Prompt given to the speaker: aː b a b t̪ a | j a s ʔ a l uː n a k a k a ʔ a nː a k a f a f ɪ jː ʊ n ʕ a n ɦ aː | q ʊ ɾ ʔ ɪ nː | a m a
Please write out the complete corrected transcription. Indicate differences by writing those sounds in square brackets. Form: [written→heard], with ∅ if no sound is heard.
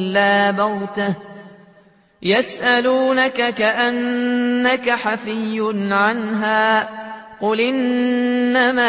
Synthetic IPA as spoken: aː b a [b→w] t̪ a | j a s ʔ a l uː n a k a k a ʔ a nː a k a [f→ħ] a f ɪ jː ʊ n ʕ a n ɦ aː | q ʊ [ɾ→l] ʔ ɪ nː | a m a